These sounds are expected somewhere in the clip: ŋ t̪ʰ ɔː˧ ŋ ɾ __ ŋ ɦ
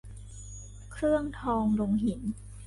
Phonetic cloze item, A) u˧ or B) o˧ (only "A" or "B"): B